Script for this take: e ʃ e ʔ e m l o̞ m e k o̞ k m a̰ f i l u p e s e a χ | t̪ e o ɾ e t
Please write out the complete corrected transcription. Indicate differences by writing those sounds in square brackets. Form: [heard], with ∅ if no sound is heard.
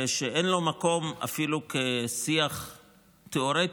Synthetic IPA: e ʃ e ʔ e [n] l o̞ m [a] k o̞ [∅] m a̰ f i l u [k] e s [i] a χ | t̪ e o ɾ e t